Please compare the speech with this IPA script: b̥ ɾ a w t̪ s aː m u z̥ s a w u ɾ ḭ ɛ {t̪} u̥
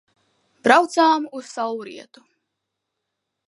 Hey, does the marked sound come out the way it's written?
yes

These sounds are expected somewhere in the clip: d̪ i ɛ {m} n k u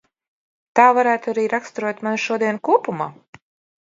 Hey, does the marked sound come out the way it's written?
no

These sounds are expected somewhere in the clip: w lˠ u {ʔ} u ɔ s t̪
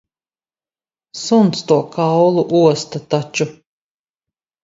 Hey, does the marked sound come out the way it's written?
yes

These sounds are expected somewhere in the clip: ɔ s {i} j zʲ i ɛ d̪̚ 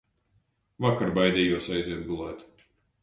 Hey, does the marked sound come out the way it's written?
no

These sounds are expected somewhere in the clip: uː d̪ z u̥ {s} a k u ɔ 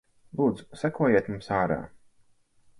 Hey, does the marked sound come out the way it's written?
yes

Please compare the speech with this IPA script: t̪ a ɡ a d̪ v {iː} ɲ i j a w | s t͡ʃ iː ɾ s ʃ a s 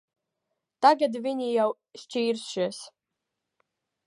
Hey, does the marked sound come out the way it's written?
no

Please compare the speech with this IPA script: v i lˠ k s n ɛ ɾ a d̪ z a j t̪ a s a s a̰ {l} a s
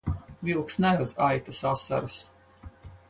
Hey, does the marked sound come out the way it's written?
no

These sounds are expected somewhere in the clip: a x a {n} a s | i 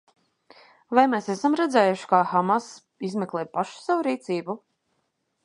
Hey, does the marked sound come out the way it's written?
no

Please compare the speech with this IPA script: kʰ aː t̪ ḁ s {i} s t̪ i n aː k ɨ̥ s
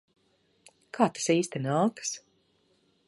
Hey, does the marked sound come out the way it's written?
no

